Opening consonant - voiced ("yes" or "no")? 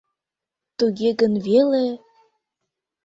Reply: no